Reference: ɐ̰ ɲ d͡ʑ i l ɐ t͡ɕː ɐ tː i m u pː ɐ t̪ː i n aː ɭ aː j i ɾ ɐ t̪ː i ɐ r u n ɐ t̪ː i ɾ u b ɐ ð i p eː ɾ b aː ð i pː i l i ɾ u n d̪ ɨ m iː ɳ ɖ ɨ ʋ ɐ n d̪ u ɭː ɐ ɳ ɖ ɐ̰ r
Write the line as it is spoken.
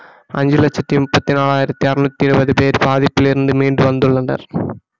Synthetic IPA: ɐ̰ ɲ d͡ʑ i l ɐ t͡ɕː ɐ tː i m u pː ɐ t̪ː i n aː ɭ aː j i ɾ ɐ t̪ː i ɐ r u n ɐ t̪ː i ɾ u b ɐ ð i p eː ɾ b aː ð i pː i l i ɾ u n d̪ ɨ m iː ɳ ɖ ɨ ʋ ɐ n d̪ u ɭː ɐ ɳ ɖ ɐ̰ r

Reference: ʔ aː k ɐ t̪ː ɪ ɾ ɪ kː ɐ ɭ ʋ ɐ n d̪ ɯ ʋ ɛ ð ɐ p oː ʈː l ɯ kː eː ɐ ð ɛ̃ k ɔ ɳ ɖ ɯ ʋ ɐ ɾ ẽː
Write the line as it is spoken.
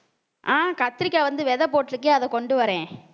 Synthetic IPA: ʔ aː k ɐ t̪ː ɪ ɾ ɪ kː ɐ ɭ ʋ ɐ n d̪ ɯ ʋ ɛ ð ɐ p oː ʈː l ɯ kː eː ɐ ð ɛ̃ k ɔ ɳ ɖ ɯ ʋ ɐ ɾ ẽː

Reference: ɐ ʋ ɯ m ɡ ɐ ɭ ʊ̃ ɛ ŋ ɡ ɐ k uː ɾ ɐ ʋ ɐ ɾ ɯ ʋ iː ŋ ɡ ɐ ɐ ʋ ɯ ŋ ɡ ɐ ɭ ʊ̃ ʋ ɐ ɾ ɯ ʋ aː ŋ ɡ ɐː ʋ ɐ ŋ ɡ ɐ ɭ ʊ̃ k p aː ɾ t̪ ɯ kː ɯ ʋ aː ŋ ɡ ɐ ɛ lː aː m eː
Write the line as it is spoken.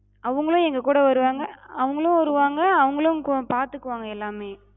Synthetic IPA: ɐ ʋ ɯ ŋ ɡ ɐ ɭ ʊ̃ ɛ ŋ ɡ ɐ k uː ɽ ɐ ʋ ɐ ɾ ɯ ʋ aː ŋ ɡ ɐ ɐ ʋ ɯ ŋ ɡ ɐ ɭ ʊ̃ ʋ ɐ ɾ ɯ ʋ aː ŋ ɡ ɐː ʋ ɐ ŋ ɡ ɐ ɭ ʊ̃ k p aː ɾ t̪ ɯ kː ɯ ʋ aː ŋ ɡ ɐ ɛ lː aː m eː

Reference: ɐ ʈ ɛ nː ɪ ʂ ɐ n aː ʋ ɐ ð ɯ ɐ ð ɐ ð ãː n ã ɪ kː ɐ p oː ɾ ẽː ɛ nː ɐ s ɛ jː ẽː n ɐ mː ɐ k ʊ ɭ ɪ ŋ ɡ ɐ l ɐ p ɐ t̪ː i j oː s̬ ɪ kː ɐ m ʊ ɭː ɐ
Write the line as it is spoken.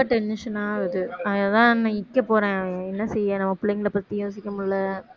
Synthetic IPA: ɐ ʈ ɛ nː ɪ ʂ ɐ n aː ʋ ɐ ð ɯ ɐ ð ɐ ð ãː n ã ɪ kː ɐ p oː ɾ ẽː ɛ nː ɐ s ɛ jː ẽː n ɐ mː ɐ p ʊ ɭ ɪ ŋ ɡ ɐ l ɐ p ɐ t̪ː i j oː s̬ ɪ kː ɐ m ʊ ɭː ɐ

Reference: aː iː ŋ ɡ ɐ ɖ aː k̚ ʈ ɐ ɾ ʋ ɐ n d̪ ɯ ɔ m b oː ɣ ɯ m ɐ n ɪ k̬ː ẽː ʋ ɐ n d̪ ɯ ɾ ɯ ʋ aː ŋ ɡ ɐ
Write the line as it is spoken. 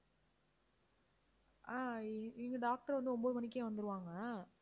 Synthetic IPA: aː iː ŋ ɡ ɐ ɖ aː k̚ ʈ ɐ ɾ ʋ ɐ n d̪ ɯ ɔ m b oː ð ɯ m ɐ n ɪ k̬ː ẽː ʋ ɐ n d̪ ɯ ɾ ɯ ʋ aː ŋ ɡ ɐ

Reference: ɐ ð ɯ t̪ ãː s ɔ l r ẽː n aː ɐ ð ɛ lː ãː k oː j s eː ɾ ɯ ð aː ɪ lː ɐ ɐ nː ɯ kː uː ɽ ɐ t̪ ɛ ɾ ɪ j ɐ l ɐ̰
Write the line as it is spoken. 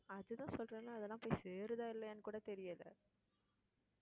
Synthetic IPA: ɐ ð ɯ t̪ ãː s ɔ l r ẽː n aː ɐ ð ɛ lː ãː p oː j s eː ɾ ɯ ð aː ɪ lː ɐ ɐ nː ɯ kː uː ɽ ɐ t̪ ɛ ɾ ɪ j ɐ l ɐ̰

